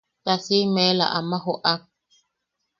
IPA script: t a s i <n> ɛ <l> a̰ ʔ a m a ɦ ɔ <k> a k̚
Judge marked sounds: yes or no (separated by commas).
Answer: no, yes, no